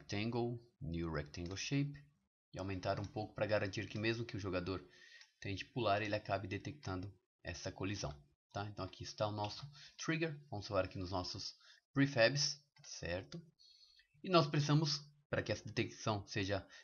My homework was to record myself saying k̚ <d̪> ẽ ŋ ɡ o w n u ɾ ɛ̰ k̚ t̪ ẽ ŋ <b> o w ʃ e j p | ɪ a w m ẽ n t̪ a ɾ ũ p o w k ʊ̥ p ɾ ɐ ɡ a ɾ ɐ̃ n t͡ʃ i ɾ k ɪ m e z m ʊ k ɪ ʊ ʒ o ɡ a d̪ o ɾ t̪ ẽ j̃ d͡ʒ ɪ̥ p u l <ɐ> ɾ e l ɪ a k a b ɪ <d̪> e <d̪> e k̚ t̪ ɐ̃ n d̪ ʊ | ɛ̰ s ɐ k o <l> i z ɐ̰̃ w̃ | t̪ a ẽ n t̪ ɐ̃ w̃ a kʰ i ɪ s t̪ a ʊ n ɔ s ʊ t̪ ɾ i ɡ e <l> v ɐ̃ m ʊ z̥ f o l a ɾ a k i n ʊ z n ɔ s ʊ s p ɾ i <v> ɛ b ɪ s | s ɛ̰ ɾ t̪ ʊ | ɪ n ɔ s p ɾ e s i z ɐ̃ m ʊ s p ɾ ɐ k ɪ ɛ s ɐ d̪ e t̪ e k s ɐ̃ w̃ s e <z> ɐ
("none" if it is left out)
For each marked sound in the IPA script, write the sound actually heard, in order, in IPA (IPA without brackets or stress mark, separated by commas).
t̪, ɡ, a, d̪, t̪, l, ɾ, f, ʒ